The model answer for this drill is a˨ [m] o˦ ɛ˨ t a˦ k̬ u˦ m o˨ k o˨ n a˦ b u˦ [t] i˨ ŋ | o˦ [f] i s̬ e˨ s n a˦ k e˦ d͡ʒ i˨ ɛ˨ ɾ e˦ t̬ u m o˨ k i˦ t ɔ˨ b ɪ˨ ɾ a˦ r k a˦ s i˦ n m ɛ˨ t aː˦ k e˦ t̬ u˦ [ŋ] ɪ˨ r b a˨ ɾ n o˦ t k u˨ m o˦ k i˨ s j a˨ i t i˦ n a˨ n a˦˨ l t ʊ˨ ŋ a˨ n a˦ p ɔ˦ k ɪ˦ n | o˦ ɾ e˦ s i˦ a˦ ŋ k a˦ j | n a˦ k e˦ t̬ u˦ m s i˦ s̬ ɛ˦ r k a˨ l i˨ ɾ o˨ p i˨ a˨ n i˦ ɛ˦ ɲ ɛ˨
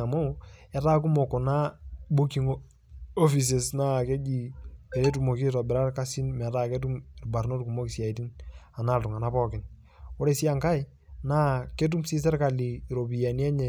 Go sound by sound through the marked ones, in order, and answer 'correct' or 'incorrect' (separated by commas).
correct, incorrect, correct, incorrect